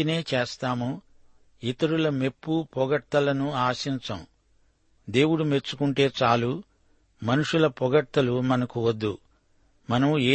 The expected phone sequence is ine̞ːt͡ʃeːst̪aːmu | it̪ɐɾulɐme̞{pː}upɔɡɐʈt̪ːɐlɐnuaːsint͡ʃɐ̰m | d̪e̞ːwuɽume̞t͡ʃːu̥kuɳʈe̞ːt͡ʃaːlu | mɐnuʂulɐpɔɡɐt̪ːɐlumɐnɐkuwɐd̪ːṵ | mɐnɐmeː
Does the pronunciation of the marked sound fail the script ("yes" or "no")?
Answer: no